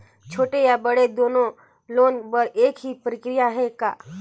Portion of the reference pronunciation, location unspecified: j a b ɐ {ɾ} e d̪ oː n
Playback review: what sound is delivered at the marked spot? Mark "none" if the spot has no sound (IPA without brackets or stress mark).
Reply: ɽ